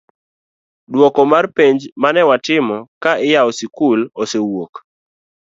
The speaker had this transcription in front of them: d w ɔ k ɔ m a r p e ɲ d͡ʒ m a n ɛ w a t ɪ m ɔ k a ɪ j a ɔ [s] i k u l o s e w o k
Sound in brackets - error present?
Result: no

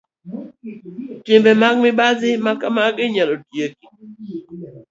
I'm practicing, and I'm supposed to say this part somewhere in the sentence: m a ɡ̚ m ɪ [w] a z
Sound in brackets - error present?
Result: yes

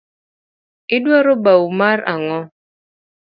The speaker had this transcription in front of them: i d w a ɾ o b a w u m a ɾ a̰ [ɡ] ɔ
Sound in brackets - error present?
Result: yes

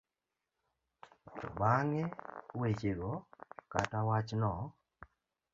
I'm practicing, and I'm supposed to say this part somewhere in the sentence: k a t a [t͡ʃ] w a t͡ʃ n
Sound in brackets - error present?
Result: yes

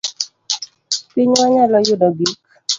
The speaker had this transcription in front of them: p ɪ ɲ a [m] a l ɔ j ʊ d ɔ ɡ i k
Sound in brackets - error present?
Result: yes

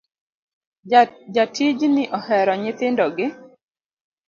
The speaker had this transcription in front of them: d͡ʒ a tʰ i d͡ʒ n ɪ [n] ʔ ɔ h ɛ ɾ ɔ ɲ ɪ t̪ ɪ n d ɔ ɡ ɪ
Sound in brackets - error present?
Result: yes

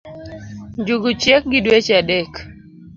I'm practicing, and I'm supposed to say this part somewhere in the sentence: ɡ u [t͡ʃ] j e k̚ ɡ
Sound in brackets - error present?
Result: no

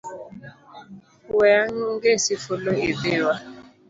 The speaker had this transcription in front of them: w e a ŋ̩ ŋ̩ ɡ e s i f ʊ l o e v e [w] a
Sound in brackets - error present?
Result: no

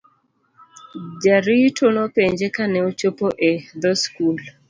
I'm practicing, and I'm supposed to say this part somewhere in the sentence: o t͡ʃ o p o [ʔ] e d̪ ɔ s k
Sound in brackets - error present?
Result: no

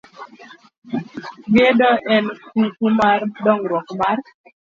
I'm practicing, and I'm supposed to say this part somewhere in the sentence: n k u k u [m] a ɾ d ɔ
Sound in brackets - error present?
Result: no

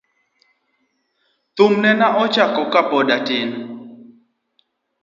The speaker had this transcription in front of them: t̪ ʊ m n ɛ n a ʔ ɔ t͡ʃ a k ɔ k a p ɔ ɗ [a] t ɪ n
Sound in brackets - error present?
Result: no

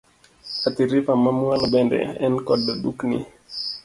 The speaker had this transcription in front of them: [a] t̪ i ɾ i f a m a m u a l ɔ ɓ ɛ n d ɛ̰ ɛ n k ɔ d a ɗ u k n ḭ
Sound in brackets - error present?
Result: no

